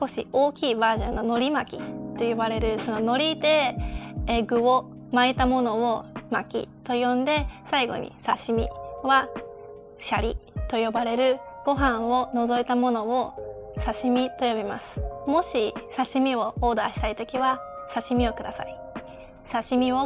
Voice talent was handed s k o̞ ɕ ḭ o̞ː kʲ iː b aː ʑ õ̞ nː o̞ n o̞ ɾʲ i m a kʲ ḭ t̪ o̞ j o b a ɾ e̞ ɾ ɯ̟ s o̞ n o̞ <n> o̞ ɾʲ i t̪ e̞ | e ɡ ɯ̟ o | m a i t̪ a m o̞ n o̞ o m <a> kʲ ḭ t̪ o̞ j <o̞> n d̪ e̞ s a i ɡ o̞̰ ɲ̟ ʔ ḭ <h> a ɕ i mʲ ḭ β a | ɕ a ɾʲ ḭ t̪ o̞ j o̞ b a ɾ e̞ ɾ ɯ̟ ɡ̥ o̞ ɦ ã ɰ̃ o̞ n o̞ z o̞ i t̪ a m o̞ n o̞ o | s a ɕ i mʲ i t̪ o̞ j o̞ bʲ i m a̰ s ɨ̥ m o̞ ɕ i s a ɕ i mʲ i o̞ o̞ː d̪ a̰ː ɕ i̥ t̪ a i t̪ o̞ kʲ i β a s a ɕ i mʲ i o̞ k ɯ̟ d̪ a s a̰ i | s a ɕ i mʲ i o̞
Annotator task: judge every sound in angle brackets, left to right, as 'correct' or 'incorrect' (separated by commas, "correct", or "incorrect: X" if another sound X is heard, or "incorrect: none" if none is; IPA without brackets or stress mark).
correct, correct, incorrect: õ̞, incorrect: s